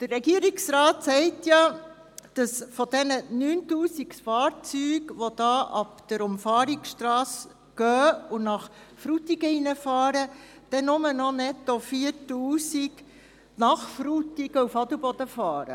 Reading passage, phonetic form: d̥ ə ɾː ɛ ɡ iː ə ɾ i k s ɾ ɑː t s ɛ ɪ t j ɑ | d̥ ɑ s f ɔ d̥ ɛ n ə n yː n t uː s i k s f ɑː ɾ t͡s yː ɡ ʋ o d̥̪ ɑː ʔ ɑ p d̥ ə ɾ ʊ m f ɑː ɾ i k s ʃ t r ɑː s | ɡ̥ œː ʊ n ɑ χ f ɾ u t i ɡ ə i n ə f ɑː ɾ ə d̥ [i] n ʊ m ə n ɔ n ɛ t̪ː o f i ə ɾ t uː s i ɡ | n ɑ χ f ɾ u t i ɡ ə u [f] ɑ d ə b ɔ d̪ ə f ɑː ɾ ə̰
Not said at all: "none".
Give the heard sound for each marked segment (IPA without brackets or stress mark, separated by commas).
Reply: ɛ, f